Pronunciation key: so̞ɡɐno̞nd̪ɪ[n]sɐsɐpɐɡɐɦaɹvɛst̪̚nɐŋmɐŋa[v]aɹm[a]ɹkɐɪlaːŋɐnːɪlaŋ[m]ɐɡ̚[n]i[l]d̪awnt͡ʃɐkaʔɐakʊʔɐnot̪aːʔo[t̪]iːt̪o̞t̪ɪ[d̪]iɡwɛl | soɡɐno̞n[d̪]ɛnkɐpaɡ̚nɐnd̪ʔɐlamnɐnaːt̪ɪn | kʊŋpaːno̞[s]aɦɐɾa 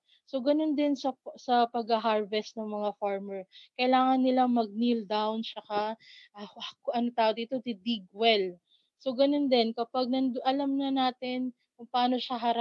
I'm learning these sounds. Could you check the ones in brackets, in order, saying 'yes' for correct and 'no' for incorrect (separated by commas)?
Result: yes, no, no, yes, yes, yes, no, yes, yes, no